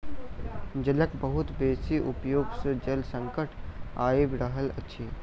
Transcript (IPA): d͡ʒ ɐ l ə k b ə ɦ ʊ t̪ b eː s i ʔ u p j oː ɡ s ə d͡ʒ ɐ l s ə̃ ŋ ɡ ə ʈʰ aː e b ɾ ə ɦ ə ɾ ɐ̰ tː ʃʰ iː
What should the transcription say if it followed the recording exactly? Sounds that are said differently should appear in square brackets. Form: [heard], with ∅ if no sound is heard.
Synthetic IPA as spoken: d͡ʒ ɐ l ə k b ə ɦ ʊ t̪ b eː s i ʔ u p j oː ɡ s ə d͡ʒ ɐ l s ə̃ ŋ [k] ə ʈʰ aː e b ɾ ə ɦ ə [l] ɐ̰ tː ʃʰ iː